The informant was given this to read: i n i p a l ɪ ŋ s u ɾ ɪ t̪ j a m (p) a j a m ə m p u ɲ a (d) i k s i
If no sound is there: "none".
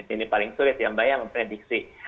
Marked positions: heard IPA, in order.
b, d

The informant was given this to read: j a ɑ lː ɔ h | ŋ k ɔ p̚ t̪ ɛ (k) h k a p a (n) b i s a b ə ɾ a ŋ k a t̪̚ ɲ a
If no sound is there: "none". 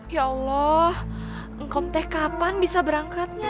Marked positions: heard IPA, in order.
none, n

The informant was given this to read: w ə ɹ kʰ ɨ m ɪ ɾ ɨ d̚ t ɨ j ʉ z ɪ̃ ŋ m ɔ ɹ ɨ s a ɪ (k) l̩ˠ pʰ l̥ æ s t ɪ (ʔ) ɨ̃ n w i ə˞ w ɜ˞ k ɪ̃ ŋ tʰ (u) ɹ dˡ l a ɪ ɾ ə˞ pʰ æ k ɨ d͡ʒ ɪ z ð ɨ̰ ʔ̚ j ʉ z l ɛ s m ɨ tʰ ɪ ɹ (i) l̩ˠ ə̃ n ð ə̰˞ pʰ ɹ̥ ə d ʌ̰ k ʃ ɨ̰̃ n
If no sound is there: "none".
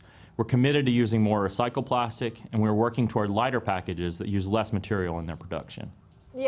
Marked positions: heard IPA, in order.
k, k, ɔ, i

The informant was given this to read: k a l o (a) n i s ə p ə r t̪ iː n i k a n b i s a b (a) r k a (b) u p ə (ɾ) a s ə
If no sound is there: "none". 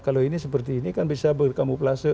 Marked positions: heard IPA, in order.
i, ə, m, l

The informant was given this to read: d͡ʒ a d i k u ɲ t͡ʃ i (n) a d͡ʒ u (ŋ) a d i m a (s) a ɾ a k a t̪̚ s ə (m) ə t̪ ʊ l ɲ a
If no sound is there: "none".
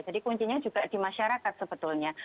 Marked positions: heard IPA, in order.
ɲ, ɡ, ʃ, b

